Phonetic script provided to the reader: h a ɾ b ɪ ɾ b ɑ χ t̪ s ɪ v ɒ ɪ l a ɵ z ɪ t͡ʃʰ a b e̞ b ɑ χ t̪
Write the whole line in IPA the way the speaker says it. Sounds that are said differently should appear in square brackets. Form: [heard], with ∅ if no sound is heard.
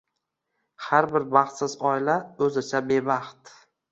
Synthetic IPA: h a ɾ b ɪ ɾ b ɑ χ t̪ s ɪ [z] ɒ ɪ l a ɵ z ɪ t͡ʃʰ a b e̞ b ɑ χ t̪